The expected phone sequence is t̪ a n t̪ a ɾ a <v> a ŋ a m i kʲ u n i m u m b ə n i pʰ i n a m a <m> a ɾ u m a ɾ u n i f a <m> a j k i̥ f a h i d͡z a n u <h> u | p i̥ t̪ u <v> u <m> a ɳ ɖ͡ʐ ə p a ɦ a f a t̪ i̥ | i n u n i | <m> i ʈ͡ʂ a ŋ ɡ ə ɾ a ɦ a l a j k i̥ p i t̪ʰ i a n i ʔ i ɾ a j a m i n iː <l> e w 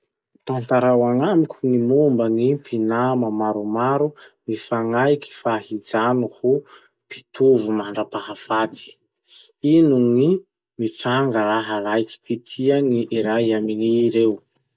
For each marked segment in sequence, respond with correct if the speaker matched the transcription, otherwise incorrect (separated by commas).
incorrect, correct, incorrect, correct, correct, correct, correct, incorrect